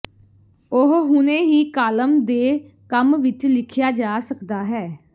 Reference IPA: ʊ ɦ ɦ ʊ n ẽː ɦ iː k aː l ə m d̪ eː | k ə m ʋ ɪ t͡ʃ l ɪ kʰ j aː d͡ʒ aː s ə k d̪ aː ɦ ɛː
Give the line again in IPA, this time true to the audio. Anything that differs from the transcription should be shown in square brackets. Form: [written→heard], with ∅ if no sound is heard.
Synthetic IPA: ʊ ɦ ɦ ʊ n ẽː ɦ iː k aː l ə m d̪ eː | k ə m ʋ ɪ t͡ʃ l ɪ kʰ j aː d͡ʒ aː s ə k d̪ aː ɦ ɛː

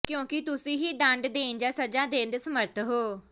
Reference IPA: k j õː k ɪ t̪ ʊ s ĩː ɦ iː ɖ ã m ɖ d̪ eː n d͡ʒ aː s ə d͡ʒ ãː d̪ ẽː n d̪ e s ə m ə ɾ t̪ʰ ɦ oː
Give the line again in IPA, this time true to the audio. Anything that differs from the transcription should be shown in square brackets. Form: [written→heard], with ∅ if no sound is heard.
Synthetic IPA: k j õː k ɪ t̪ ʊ s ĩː ɦ iː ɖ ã [m→ɳ] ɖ d̪ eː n d͡ʒ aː s ə d͡ʒ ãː d̪ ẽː n d̪ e s ə m ə ɾ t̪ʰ ɦ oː

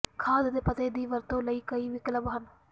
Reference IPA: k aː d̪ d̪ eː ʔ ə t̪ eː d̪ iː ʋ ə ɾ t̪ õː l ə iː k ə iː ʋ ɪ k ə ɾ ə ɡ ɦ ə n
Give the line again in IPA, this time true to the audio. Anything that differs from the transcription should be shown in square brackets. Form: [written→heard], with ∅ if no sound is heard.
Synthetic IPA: [k→kʰ] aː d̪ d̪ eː [ʔ→p] ə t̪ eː d̪ iː ʋ ə ɾ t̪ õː l ə iː k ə iː ʋ ɪ k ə [ɾ→l] ə [ɡ→b] ɦ ə n

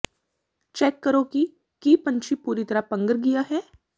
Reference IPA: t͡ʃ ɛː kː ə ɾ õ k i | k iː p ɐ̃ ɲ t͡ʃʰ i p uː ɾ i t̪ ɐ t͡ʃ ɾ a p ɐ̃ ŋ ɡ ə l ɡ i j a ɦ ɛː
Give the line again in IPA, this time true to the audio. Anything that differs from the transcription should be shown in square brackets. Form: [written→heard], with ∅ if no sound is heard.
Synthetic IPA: t͡ʃ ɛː kː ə ɾ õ k i | k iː p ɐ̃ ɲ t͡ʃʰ i p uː ɾ i t̪ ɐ [t͡ʃ→∅] ɾ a p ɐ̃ ŋ ɡ ə [l→ɾ] ɡ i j a ɦ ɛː

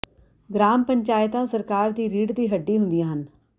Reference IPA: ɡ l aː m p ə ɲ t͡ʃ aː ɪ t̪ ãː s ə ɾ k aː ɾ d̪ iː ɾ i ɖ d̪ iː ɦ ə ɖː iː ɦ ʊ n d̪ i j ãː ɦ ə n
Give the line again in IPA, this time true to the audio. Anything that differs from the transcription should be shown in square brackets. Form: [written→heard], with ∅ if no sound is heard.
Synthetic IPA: ɡ [l→ɾ] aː m p ə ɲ t͡ʃ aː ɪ t̪ ãː s ə ɾ k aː ɾ d̪ iː ɾ [i→iː] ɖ d̪ iː ɦ ə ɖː iː ɦ ʊ n d̪ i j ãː ɦ ə n

